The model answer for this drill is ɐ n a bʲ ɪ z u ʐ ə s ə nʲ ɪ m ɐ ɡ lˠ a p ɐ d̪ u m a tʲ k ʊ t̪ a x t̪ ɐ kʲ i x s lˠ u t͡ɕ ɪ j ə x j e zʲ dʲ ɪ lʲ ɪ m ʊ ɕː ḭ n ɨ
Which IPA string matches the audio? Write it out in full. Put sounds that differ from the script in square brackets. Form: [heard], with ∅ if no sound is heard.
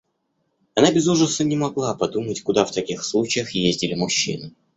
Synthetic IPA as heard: ɐ n a bʲ ɪ z u ʐ ə s ə nʲ ɪ m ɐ ɡ lˠ a p ɐ d̪ u m [ə] tʲ k ʊ [d̪] a [f] t̪ ɐ kʲ i x s lˠ u t͡ɕ ɪ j ə x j e zʲ dʲ ɪ lʲ ɪ m ʊ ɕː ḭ n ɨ